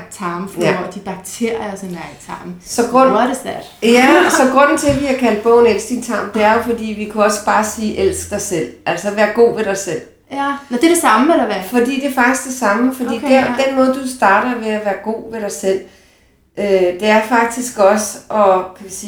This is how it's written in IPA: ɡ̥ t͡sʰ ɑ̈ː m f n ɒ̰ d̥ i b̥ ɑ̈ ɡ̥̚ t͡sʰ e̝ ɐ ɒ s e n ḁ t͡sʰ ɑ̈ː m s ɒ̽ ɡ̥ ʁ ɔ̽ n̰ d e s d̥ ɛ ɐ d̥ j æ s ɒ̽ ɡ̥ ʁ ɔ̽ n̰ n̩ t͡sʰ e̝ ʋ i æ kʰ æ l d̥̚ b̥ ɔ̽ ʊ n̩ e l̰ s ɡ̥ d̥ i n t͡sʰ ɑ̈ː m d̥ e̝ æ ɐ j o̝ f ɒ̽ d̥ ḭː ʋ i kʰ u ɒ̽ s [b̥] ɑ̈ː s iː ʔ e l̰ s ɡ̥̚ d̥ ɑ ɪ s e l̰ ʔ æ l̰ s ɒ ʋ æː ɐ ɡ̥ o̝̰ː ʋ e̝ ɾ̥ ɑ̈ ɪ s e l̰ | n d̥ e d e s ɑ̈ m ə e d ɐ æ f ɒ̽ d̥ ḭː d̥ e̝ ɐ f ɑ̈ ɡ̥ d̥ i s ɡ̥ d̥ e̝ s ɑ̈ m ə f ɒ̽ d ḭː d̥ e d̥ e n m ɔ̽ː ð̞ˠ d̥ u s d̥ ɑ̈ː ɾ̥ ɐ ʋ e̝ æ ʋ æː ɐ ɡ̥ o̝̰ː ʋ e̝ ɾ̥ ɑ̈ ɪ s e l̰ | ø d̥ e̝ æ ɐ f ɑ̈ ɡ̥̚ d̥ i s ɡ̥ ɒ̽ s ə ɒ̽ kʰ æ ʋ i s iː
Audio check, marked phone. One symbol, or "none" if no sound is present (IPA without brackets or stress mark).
b̥